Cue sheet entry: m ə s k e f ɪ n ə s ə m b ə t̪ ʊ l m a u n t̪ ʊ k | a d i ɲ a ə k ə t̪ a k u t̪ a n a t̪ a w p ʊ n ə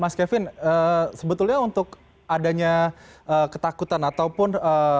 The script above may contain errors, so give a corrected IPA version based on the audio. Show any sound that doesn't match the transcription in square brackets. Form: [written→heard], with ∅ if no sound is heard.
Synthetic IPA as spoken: m [ə→a] s k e f ɪ n ə s ə [m→∅] b ə t̪ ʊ l [m→ɲ] a u n t̪ ʊ k | a d [i→a] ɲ a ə k ə t̪ a k u t̪ a n a t̪ a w p ʊ n ə